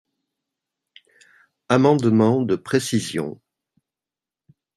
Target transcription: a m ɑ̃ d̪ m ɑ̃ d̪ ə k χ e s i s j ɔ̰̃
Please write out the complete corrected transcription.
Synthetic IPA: a m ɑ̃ d̪ m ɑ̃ d̪ ə p χ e s i z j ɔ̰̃